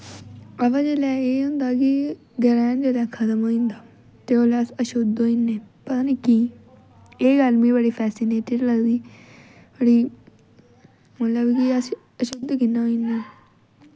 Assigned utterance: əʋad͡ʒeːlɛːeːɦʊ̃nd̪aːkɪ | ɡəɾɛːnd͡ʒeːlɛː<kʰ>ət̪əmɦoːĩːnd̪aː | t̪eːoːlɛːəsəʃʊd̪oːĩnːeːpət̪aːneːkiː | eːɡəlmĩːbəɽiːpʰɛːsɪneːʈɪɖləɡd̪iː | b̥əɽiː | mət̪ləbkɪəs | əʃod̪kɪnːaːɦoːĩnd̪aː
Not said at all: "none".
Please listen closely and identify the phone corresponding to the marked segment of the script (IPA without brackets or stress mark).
kʰ